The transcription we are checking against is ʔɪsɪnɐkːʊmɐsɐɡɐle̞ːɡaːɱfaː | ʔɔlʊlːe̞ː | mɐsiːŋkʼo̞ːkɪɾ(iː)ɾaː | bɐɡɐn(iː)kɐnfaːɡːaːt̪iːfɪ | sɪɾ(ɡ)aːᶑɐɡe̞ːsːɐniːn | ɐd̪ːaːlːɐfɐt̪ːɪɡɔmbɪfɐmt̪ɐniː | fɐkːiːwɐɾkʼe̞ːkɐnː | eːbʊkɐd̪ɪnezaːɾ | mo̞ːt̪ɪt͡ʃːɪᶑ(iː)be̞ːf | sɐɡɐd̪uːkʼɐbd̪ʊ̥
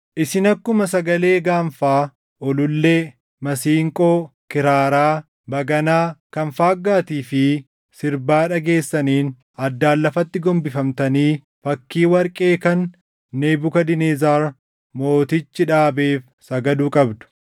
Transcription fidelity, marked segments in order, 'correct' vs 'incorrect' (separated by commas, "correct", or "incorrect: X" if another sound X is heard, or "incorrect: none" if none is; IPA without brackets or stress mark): incorrect: aː, incorrect: aː, incorrect: b, incorrect: aː